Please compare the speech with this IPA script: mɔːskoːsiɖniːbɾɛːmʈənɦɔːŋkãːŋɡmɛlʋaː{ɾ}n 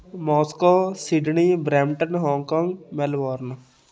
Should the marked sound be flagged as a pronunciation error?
no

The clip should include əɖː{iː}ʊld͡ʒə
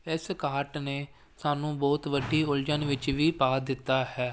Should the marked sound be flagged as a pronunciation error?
no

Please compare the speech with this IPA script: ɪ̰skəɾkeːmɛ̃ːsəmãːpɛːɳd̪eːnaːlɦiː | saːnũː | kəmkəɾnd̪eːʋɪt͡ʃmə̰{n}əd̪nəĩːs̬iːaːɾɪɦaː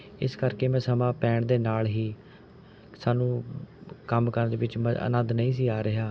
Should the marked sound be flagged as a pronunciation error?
no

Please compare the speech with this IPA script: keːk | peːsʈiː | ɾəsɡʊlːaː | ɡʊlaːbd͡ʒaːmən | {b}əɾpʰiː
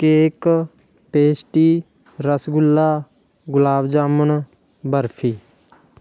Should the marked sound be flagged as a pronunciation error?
no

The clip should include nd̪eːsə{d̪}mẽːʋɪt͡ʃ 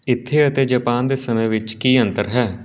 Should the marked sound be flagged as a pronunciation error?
yes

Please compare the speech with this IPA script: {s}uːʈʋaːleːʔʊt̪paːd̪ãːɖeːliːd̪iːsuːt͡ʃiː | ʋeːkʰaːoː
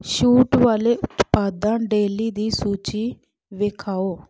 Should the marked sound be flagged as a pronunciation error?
yes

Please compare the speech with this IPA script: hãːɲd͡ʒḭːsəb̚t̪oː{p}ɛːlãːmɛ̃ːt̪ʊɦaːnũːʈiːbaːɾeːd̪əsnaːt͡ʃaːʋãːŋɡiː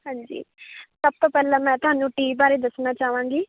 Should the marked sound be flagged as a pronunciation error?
no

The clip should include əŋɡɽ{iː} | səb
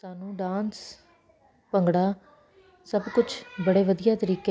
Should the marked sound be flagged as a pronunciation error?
yes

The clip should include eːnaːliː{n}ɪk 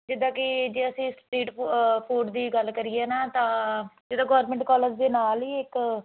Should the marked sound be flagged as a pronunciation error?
yes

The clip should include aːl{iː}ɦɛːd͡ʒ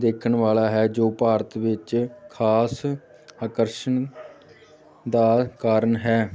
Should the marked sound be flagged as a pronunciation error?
yes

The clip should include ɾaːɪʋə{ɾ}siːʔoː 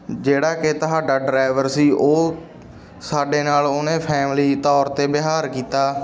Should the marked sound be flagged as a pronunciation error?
no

